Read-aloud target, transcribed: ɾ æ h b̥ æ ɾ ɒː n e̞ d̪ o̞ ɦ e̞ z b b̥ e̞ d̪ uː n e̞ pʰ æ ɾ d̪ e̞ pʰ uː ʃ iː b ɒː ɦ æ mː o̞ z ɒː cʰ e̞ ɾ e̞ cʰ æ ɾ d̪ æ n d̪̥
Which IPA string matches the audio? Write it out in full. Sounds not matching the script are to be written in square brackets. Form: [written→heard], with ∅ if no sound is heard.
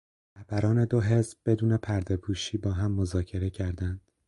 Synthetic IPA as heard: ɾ æ h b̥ æ ɾ ɒː n e̞ d̪ o̞ ɦ e̞ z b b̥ e̞ d̪ uː n e̞ pʰ æ ɾ d̪ e̞ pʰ uː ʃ iː b ɒː ɦ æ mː o̞ z ɒː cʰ e̞ ɾ e̞ cʰ æ ɾ d̪ æ n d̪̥